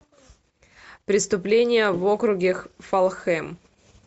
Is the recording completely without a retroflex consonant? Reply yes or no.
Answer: yes